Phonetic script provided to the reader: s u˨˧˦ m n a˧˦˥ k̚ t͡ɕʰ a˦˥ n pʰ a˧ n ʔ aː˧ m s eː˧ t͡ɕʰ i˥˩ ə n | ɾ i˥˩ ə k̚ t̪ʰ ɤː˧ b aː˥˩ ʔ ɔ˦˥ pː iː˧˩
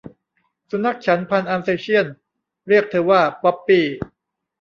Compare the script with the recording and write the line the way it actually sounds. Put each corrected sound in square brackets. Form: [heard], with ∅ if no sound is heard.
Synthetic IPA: s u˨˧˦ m n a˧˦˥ k̚ t͡ɕʰ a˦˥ n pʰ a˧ n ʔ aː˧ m s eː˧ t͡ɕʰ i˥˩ ə n | ɾ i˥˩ ə k̚ t̪ʰ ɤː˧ [w] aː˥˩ [p] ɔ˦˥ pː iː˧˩

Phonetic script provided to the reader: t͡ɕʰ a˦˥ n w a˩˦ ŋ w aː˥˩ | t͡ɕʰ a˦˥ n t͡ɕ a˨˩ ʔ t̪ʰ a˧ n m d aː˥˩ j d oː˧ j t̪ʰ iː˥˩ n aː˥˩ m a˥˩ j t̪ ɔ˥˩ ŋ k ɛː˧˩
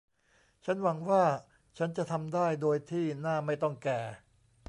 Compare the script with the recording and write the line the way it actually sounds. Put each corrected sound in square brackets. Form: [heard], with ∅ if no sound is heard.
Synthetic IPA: t͡ɕʰ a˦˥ n w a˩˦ ŋ w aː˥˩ | t͡ɕʰ a˦˥ n t͡ɕ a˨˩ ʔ t̪ʰ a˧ [∅] m d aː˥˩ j d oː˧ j t̪ʰ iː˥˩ n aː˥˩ m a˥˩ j t̪ ɔ˥˩ ŋ k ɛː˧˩

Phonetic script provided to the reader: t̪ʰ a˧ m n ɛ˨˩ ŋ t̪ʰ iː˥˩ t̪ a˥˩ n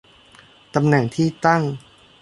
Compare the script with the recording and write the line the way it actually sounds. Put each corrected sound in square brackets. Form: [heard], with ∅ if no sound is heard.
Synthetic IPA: [t̪] a˧ m n ɛ˨˩ ŋ t̪ʰ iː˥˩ t̪ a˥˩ [ŋ]

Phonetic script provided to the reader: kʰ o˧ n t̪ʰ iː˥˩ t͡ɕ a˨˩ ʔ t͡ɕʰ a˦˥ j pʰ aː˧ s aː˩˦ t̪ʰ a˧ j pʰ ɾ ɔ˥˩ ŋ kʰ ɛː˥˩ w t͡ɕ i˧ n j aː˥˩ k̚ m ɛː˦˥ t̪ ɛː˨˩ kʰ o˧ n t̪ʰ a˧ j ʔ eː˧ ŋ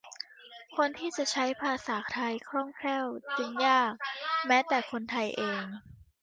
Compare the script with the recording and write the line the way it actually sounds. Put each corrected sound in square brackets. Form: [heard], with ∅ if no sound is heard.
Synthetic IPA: kʰ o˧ n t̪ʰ iː˥˩ t͡ɕ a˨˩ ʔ t͡ɕʰ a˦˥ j pʰ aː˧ s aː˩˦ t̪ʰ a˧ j [kʰ] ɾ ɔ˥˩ ŋ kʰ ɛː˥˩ w t͡ɕ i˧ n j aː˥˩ k̚ m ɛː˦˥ t̪ ɛː˨˩ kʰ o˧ n t̪ʰ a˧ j ʔ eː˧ ŋ

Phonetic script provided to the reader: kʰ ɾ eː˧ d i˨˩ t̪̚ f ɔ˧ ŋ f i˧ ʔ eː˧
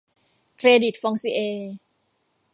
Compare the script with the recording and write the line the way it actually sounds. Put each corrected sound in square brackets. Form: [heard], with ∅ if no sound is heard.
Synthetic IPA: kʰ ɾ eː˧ d i˨˩ t̪̚ f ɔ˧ ŋ [s] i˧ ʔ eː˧

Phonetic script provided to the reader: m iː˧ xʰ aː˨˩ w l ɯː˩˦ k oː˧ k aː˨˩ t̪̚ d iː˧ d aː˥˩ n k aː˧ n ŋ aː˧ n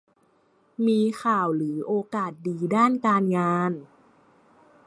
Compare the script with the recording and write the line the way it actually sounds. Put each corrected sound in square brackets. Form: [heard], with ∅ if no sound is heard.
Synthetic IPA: m iː˧ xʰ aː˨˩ w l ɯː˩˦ [ʔ] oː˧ k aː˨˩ t̪̚ d iː˧ d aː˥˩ n k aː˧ n ŋ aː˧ n

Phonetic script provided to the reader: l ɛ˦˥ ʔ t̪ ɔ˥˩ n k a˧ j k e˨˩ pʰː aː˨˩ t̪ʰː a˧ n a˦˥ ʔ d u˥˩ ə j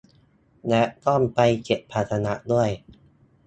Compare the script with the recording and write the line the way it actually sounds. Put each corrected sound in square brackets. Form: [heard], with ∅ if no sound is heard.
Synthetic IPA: l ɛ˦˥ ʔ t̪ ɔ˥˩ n [p] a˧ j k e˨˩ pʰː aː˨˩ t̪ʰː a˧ n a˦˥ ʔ d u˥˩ ə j

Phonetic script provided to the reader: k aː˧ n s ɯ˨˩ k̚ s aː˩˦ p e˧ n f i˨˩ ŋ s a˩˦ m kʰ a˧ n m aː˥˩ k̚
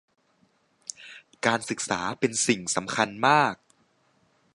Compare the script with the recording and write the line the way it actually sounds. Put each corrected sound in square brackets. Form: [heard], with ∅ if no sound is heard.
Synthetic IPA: k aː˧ n s ɯ˨˩ k̚ s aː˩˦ p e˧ n [s] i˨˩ ŋ s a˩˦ m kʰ a˧ n m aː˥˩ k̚

